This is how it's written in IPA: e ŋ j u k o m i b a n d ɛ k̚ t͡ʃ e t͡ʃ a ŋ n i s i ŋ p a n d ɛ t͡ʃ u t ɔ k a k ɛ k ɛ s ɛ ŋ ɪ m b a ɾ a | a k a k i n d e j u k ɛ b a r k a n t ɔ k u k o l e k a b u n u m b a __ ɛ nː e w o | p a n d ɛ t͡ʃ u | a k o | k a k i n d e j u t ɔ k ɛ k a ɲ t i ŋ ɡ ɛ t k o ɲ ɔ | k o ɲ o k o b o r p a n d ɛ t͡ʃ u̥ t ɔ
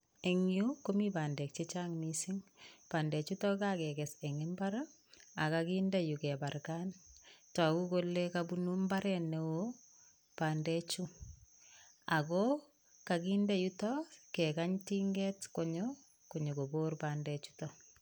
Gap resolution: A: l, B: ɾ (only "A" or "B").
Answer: B